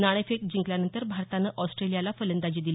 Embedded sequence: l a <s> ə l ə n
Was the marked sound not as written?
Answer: yes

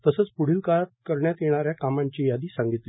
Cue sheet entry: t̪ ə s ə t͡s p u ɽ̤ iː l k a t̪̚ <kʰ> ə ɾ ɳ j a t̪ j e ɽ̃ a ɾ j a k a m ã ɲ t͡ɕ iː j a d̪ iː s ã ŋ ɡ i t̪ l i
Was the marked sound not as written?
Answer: yes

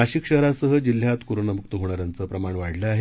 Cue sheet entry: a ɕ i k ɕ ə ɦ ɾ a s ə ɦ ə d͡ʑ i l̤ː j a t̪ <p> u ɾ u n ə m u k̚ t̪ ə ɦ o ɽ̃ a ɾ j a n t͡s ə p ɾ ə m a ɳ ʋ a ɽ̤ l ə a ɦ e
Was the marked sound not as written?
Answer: yes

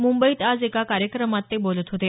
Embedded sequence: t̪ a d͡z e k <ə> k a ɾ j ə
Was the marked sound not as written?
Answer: yes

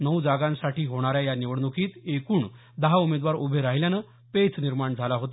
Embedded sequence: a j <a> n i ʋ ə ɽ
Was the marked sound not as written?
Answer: no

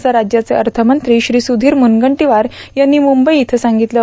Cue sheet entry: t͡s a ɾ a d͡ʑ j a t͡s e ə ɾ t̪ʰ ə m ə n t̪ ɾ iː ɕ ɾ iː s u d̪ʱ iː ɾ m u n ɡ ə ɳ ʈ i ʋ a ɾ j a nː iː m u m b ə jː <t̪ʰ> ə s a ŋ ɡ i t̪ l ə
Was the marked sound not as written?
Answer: no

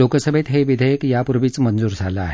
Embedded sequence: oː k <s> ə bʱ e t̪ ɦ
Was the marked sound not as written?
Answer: no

